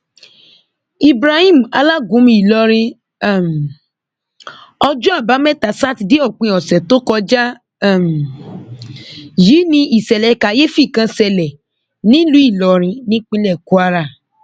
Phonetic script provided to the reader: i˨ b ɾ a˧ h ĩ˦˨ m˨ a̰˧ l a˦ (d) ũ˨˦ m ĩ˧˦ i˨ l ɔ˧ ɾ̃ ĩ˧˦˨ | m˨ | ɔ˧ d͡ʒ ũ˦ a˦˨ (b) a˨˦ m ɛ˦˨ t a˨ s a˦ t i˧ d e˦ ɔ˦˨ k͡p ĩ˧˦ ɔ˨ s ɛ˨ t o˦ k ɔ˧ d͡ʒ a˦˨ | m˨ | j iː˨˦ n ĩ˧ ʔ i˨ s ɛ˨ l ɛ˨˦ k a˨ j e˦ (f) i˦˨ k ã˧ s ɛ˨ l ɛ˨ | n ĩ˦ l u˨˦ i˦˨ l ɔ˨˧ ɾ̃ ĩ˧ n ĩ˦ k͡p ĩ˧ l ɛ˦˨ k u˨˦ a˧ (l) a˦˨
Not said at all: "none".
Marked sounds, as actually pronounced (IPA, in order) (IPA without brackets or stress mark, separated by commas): ɡ, b, f, ɾ